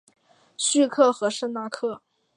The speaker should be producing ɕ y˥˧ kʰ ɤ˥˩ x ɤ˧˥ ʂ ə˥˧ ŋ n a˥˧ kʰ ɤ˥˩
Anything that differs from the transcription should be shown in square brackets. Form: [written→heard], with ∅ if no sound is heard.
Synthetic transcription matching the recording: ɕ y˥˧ kʰ ɤ˥˩ x ɤ˧˥ ʂ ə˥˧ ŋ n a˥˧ kʰ ɤ˥˩

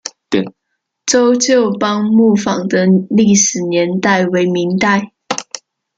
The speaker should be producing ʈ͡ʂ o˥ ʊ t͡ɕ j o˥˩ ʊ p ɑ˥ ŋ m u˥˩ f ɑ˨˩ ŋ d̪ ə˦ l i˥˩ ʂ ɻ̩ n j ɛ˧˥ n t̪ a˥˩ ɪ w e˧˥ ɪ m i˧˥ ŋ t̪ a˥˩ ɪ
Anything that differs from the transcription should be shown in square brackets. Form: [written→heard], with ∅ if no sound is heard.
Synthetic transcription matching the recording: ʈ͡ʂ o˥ ʊ t͡ɕ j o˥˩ ʊ p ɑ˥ ŋ m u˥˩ f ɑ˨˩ ŋ d̪ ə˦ l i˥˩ ʂ ɻ̩ n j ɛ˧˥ n t̪ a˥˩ ɪ w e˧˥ ɪ m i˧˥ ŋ t̪ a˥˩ ɪ

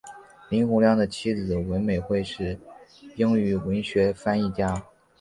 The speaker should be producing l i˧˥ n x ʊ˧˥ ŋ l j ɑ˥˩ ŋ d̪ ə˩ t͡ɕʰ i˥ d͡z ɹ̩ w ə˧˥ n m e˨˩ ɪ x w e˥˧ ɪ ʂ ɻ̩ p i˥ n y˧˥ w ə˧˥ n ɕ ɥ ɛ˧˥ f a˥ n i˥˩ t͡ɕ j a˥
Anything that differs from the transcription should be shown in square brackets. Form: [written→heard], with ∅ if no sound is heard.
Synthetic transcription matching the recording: l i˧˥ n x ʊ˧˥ ŋ l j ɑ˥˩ ŋ d̪ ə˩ t͡ɕʰ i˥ d͡z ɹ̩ w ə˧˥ n m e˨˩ ɪ x w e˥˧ ɪ ʂ ɻ̩ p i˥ [n→ŋ] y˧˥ w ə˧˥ n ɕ ɥ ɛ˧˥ f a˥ n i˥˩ t͡ɕ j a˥

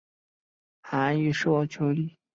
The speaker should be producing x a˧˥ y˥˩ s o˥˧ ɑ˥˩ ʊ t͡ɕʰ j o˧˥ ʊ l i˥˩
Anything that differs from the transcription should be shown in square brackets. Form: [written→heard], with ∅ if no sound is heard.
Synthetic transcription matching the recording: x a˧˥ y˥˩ [s→ʂ] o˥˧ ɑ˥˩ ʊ t͡ɕʰ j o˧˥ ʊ l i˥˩

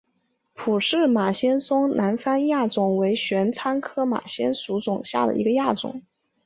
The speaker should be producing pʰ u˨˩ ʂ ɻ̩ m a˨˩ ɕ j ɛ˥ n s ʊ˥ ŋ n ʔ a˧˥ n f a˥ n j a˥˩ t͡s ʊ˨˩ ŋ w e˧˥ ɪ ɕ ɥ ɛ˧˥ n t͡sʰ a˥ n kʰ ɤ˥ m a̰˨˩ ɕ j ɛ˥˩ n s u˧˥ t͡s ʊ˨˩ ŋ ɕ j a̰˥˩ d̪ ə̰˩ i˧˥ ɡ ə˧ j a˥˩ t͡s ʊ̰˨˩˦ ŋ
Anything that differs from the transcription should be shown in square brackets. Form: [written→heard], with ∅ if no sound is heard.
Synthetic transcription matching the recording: pʰ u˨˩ ʂ ɻ̩ m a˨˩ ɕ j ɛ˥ n s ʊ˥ ŋ n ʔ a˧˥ n f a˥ n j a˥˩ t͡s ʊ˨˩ ŋ w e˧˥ ɪ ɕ ɥ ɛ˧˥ n t͡sʰ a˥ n kʰ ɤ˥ m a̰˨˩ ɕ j [ɛ˥˩→ɛ˥] n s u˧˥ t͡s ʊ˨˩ ŋ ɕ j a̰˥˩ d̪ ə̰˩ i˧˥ ɡ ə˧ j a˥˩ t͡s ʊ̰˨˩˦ ŋ

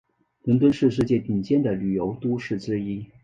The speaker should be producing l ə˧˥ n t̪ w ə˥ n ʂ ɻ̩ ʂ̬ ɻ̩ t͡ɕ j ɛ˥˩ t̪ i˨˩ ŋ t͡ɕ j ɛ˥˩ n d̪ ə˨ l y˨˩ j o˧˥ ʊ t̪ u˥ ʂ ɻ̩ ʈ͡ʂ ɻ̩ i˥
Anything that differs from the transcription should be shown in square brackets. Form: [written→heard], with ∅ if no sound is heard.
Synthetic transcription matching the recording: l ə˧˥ n t̪ w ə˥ n ʂ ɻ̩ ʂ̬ ɻ̩ t͡ɕ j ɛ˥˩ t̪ i˨˩ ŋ t͡ɕ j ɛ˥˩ n d̪ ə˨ l y˨˩ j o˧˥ ʊ t̪ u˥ ʂ ɻ̩ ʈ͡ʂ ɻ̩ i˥

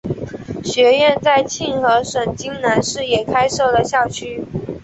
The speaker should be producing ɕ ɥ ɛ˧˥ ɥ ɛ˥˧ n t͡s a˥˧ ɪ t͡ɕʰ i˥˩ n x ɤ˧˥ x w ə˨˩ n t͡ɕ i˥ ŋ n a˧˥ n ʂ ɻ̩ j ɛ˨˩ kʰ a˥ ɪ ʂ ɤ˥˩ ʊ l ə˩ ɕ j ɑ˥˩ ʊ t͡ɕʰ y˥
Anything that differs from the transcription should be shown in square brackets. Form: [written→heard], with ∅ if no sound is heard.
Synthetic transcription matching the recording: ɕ ɥ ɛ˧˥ ɥ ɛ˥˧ n t͡s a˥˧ ɪ t͡ɕʰ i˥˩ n x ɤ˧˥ [x→ʂ] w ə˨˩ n t͡ɕ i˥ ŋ n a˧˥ n ʂ ɻ̩ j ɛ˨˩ kʰ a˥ ɪ ʂ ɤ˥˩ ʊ l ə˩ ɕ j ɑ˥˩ ʊ t͡ɕʰ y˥

